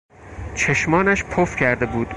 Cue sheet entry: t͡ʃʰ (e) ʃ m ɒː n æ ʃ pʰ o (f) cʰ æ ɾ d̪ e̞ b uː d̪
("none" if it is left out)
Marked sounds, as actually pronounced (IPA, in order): e, f

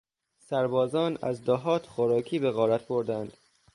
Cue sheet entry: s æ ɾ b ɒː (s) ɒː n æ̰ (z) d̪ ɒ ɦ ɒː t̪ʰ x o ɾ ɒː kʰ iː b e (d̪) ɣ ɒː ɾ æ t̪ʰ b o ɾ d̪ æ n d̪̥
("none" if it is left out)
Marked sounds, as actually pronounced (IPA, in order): z, z, none

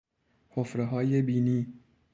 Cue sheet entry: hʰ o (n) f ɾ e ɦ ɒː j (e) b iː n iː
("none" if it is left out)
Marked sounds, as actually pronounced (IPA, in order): none, e

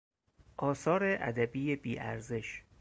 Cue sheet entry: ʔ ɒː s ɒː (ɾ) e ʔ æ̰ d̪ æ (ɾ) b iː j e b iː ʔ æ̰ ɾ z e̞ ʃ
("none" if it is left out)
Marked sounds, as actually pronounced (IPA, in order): ɾ, none

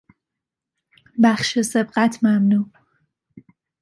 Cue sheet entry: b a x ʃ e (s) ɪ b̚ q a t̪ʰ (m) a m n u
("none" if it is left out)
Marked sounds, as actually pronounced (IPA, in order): s, m

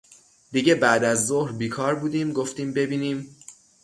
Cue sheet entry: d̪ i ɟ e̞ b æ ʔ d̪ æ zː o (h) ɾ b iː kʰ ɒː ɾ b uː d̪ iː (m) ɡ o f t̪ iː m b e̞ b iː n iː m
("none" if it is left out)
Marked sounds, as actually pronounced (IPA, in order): h, m

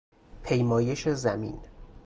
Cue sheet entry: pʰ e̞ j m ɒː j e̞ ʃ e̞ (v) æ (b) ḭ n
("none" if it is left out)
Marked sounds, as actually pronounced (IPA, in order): z, m

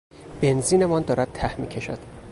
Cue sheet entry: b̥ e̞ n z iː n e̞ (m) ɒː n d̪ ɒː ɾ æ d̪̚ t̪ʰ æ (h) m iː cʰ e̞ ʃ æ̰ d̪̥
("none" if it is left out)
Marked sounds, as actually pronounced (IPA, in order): m, h

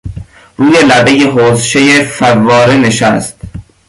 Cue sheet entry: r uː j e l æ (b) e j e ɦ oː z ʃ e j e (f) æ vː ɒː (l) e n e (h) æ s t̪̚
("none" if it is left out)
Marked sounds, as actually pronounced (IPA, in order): b, f, ɾ, ʃ

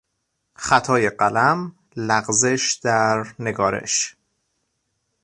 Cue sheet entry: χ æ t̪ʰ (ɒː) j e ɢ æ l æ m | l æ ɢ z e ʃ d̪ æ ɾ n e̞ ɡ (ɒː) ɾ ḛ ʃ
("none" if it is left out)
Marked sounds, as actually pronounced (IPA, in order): ɒː, ɒː

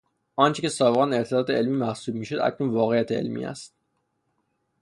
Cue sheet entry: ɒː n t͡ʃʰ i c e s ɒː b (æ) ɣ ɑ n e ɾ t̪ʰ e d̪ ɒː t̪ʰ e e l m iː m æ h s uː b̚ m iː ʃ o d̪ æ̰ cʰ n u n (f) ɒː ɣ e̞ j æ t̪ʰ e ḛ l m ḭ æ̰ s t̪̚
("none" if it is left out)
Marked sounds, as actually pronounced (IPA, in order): e, v

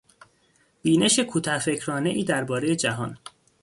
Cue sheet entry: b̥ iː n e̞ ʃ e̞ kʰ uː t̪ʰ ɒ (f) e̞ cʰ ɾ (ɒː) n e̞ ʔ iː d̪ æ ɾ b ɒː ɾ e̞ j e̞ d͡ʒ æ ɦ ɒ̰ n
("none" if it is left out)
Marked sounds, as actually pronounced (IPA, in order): f, ɒː

